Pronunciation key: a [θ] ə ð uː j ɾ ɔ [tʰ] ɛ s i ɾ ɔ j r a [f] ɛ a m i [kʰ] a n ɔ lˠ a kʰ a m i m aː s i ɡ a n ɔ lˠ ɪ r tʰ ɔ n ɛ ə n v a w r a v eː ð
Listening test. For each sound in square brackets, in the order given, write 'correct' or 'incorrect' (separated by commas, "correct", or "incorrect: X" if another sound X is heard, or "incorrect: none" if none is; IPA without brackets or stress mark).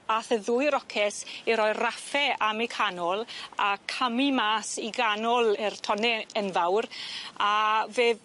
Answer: correct, incorrect: kʰ, correct, correct